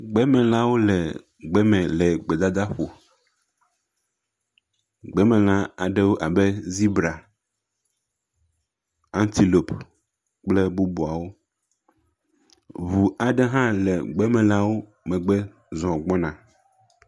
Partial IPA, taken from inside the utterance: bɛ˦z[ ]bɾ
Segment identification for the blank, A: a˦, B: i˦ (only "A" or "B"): B